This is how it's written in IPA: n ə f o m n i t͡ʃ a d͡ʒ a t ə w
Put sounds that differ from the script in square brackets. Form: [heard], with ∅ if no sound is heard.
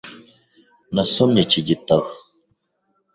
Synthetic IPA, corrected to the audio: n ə [s] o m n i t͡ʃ [i] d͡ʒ [i] t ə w